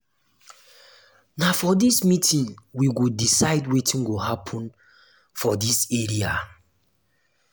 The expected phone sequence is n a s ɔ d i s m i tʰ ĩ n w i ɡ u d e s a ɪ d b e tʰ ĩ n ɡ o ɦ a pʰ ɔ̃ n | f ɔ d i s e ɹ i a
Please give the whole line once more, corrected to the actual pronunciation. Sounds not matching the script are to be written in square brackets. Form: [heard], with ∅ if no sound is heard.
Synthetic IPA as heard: n a [f] ɔ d i s m i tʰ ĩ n w i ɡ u d [i] s a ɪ d [w] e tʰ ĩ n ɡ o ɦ a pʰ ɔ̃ n | f ɔ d i s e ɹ i a